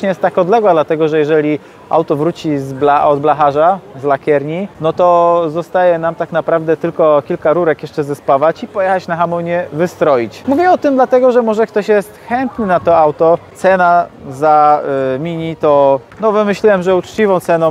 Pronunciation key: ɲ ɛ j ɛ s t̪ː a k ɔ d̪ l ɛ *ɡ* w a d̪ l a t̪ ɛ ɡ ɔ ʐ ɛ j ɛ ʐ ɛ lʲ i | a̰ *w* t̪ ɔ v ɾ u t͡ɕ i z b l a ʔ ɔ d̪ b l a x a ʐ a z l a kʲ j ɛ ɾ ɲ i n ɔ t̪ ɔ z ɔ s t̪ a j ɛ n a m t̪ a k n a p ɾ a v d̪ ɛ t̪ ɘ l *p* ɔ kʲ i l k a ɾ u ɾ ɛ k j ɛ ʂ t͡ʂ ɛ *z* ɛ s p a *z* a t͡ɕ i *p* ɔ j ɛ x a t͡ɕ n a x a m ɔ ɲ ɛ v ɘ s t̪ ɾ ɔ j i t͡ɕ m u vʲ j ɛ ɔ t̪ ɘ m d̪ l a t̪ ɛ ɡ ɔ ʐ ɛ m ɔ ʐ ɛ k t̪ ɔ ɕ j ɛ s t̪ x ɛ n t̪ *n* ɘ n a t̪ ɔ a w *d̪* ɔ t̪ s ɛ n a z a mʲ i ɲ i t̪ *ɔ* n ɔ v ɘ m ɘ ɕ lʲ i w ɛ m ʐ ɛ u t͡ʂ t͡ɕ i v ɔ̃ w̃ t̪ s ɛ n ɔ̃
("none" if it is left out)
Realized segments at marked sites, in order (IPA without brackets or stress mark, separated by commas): ɡ, w, k, z, v, p, n, t̪, ɔ